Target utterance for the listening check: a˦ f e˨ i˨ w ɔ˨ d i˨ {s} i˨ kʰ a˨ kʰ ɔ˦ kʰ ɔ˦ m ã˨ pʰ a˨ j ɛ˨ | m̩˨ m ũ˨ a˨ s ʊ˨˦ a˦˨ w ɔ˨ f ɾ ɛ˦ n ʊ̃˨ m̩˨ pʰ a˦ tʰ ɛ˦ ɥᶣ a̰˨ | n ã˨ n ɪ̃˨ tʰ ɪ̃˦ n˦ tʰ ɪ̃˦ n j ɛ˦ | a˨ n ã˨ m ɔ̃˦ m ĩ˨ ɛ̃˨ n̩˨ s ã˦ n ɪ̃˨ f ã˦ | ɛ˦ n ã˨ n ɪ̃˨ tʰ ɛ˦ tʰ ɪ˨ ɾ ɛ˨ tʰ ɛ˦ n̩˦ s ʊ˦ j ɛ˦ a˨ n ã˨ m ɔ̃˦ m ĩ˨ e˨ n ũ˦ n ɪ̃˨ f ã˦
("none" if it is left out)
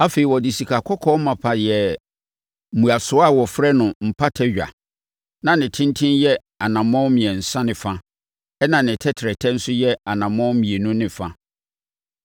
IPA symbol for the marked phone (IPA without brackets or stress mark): s